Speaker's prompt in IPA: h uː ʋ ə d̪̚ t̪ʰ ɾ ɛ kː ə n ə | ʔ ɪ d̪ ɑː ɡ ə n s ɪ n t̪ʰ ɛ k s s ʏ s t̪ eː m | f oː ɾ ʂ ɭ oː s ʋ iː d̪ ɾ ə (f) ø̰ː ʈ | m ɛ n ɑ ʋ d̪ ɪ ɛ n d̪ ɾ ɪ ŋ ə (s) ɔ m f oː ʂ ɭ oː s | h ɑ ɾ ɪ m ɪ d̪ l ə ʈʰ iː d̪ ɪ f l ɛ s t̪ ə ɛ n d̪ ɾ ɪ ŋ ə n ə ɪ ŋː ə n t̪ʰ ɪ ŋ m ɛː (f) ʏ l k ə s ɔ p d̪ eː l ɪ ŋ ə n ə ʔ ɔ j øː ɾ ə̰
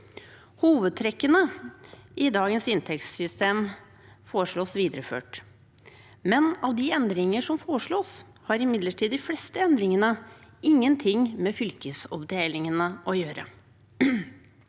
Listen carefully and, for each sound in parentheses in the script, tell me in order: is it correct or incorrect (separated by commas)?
correct, incorrect, correct